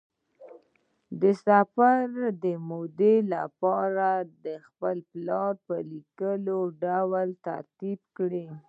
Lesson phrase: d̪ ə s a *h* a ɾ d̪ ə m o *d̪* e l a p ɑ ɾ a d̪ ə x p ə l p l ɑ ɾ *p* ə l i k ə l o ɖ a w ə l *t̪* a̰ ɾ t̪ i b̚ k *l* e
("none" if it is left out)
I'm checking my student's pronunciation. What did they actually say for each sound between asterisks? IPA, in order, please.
f, d̪, p, t̪, ɽ

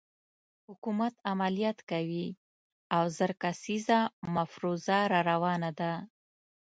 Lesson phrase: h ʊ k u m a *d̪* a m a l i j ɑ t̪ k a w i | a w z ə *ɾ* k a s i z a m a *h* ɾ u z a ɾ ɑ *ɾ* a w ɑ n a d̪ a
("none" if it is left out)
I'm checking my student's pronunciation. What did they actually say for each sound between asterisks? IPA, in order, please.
t̪, ɾ, f, ɾ

